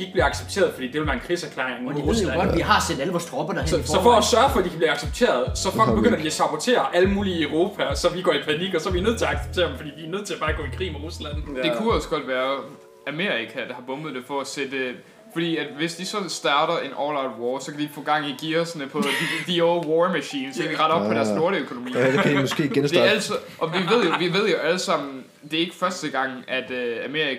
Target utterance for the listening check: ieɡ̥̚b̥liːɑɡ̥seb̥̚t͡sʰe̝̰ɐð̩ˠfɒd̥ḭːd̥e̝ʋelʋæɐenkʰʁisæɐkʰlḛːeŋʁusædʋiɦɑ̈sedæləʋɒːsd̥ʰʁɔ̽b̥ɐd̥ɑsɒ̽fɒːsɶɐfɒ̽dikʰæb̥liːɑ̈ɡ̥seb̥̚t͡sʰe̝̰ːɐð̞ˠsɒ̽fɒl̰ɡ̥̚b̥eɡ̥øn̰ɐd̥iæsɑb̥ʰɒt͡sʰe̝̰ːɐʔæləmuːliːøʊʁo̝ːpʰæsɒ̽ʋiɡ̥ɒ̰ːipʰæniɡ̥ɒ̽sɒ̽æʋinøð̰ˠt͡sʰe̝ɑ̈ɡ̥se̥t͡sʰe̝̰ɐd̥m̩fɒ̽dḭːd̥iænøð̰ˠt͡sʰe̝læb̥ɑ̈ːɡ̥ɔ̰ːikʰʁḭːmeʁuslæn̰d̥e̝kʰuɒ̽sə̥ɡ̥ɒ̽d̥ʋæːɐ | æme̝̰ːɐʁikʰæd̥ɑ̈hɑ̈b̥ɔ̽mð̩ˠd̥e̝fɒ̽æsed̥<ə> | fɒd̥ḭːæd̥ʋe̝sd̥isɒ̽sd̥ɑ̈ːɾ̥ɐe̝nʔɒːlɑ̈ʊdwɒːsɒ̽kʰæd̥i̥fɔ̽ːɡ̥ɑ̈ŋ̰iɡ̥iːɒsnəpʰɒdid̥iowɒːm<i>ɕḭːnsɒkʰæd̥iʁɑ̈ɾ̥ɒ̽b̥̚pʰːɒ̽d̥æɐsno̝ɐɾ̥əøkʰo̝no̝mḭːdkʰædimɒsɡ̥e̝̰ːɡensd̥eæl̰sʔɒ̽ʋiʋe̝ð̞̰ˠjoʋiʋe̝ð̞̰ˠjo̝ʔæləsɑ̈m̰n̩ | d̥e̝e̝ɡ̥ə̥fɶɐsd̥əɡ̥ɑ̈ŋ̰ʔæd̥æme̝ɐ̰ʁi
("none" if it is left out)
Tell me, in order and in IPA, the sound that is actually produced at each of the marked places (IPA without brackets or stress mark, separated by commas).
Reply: ə, æ